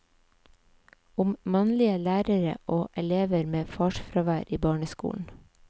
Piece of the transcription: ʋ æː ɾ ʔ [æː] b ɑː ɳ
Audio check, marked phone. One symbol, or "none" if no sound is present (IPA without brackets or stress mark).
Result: iː